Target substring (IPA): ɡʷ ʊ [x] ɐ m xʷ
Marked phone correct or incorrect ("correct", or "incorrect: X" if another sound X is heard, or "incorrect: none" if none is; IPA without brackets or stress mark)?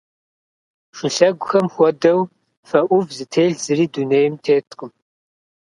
correct